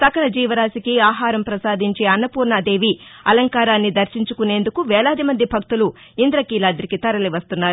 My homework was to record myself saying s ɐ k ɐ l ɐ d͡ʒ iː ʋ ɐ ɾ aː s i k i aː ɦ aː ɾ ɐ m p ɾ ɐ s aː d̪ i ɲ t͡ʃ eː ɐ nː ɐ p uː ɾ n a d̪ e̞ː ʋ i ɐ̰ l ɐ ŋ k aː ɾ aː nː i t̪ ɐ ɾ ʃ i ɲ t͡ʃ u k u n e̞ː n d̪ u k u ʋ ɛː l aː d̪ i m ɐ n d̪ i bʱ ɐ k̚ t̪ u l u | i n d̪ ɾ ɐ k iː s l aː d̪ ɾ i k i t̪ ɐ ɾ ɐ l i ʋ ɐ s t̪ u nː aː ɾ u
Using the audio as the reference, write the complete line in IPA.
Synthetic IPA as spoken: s ɐ k ɐ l ɐ d͡ʒ iː ʋ ɐ ɾ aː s i k i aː ɦ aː ɾ ɐ m p ɾ ɐ s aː d̪ i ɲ t͡ʃ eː ɐ nː ɐ p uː ɾ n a d̪ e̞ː ʋ i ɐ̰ l ɐ ŋ k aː ɾ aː nː i d̪ ɐ ɾ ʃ i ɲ t͡ʃ u k u n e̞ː n d̪ u k u ʋ ɛː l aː d̪ i m ɐ n d̪ i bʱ ɐ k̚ t̪ u l u | i n d̪ ɾ ɐ k iː l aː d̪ ɾ i k i t̪ ɐ ɾ ɐ l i ʋ ɐ s t̪ u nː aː ɾ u